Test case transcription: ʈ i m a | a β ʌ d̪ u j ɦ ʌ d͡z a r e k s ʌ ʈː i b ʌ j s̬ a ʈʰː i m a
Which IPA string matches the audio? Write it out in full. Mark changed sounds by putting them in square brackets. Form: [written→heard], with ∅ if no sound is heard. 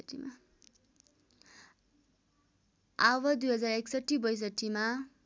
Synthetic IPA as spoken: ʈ i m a | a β ʌ d̪ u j ɦ ʌ d͡z a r e k s ʌ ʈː i b ʌ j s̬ [a→ʌ] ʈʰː i m a

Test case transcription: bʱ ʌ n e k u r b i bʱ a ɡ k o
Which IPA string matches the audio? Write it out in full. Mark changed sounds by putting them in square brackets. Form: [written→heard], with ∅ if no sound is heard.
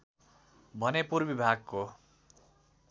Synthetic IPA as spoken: bʱ ʌ n e [k→p] u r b i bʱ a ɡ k o

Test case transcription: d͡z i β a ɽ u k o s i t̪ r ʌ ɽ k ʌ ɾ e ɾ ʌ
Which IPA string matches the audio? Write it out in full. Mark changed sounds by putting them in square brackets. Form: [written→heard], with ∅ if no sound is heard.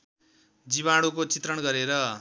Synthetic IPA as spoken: d͡z i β a ɽ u k o [s→t͡s] i t̪ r ʌ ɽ [k→ɡ] ʌ ɾ e ɾ ʌ

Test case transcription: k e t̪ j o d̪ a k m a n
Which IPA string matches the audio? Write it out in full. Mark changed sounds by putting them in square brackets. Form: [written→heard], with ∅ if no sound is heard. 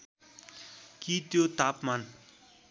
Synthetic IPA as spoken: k [e→i] t̪ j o [d̪→t̪] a [k→p] m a n

